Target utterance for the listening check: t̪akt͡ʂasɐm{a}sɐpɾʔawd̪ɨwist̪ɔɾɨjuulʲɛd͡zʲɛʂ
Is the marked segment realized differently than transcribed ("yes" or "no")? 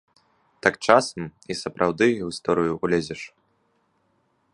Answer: yes